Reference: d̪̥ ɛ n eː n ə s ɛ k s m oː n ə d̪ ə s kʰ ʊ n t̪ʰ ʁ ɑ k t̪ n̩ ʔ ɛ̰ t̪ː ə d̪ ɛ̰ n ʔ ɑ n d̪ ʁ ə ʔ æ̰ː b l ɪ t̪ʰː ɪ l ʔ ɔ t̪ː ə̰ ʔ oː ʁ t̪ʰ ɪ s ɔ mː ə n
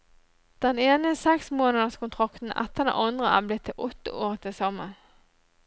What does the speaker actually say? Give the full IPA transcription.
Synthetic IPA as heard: d̪̥ ɛ n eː n ə s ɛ k s m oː n ə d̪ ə s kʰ ʊ n t̪ʰ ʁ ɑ k t̪ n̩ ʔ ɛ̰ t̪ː ə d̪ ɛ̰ n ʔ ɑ n d̪ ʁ ə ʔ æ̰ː b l ɪ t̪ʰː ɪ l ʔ ɔ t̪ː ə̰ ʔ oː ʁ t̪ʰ ɪ s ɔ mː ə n